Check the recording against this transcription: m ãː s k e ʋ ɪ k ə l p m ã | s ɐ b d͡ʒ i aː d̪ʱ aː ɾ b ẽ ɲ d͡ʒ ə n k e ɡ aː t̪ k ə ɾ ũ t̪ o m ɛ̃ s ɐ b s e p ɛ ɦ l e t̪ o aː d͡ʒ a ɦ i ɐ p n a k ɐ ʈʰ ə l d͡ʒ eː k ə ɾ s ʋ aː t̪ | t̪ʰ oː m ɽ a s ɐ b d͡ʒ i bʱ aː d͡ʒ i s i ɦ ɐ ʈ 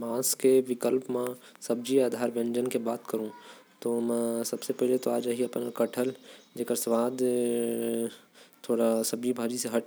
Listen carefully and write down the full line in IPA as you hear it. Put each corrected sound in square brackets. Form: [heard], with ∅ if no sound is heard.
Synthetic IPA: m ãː s k e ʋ ɪ k ə l p m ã | s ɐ b d͡ʒ i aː d̪ʱ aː ɾ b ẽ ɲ d͡ʒ ə n k e [b] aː t̪ k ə ɾ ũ t̪ o m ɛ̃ s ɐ b s e p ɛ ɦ l e t̪ o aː d͡ʒ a ɦ i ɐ p n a k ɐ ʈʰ ə l d͡ʒ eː k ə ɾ s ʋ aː [d̪] | t̪ʰ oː [∅] ɽ a s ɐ b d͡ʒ i bʱ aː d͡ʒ i s [e] ɦ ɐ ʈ

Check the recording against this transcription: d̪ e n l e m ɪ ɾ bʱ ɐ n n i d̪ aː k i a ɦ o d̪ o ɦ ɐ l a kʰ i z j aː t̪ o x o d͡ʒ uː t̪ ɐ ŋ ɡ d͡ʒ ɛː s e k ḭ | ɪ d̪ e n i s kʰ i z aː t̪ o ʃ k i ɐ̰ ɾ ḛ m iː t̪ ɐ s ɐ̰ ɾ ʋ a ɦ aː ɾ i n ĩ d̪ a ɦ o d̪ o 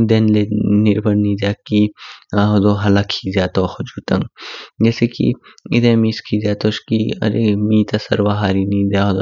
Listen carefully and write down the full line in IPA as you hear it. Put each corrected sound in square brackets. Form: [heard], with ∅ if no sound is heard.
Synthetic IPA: d̪ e n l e [n] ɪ ɾ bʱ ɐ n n i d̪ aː k i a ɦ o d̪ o ɦ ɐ l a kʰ i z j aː t̪ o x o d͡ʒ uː t̪ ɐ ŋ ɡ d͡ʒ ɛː s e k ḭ | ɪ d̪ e [m] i s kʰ i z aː t̪ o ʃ k i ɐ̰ ɾ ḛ m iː t̪ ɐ s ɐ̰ ɾ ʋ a ɦ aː ɾ i n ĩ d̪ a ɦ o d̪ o

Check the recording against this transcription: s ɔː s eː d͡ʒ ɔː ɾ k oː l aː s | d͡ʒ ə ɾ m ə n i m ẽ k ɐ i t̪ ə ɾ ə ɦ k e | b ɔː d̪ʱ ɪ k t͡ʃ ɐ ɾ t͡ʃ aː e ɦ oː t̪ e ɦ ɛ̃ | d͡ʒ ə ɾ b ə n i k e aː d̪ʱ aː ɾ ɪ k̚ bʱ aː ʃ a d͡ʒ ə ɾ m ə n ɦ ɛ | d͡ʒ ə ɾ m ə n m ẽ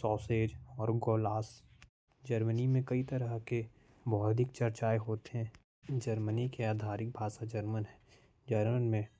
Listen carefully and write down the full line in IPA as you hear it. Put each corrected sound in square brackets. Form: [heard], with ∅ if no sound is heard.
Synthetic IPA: s ɔː s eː d͡ʒ ɔː ɾ [ɡ] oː l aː s | d͡ʒ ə ɾ m ə n i m ẽ k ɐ i t̪ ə ɾ ə ɦ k e | b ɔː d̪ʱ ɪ k t͡ʃ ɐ ɾ t͡ʃ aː e ɦ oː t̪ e ɦ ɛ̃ | d͡ʒ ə ɾ [m] ə n i k e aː d̪ʱ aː ɾ ɪ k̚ bʱ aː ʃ a d͡ʒ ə ɾ m ə n ɦ ɛ | d͡ʒ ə ɾ m ə n m ẽ

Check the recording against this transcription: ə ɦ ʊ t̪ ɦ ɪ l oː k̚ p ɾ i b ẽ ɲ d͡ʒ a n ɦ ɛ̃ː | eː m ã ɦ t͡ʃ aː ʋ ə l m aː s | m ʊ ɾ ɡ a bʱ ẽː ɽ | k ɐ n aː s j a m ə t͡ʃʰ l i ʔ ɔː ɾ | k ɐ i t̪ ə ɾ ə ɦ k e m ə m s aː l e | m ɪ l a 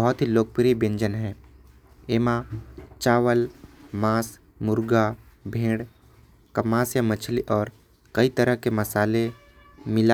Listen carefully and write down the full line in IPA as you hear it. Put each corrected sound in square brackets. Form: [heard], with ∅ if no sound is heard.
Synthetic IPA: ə ɦ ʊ t̪ ɦ [i] l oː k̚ p ɾ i b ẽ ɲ d͡ʒ [ə] n ɦ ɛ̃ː | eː m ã [∅] t͡ʃ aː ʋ ə l m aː s | m ʊ ɾ ɡ a bʱ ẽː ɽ | k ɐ [m] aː s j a m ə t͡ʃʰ l i ʔ ɔː ɾ | k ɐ i t̪ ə ɾ ə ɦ k e m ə [∅] s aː l e | m ɪ l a

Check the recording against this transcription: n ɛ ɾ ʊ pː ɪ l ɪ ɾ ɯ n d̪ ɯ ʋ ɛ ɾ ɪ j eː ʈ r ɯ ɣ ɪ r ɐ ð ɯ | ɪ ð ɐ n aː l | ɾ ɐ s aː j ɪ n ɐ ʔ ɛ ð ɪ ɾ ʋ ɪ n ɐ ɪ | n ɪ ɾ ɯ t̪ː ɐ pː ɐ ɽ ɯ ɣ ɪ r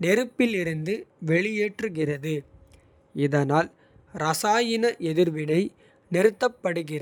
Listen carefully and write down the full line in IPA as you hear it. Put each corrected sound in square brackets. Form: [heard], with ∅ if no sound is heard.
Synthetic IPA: n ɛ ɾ [ɯ] pː ɪ l ɪ ɾ ɯ n d̪ ɯ ʋ ɛ [ɭ] ɪ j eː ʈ r ɯ ɣ ɪ r ɐ ð ɯ | ɪ ð ɐ n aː l | ɾ ɐ s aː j ɪ n ɐ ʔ ɛ ð ɪ ɾ ʋ ɪ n ɐ ɪ | n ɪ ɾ ɯ t̪ː ɐ pː ɐ ɽ ɯ ɣ ɪ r

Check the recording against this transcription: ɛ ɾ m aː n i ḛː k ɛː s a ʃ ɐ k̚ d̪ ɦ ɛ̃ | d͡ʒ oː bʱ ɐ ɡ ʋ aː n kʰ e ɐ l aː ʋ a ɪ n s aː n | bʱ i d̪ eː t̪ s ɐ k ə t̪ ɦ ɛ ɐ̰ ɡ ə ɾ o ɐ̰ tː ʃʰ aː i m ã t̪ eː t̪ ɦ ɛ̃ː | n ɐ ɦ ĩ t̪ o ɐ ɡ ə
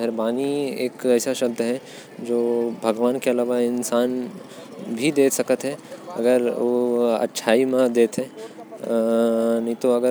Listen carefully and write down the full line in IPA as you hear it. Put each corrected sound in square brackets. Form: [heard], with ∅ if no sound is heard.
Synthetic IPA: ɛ ɾ [b] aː n i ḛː k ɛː s a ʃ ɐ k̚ d̪ ɦ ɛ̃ | d͡ʒ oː bʱ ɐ ɡ ʋ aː n [k] e ɐ l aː ʋ a ɪ n s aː n | bʱ i d̪ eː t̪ s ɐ k ə t̪ ɦ ɛ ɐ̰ ɡ ə ɾ o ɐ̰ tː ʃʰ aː i m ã [d̪] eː t̪ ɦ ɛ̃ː | n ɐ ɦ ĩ t̪ o ɐ ɡ ə

